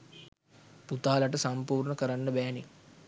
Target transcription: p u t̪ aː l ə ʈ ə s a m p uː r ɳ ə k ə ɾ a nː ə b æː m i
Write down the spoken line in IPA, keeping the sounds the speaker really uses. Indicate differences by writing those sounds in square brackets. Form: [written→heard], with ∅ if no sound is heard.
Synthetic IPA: p u t̪ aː l [ə→a] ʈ ə s a m p uː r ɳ ə k ə ɾ a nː ə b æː [m→n] i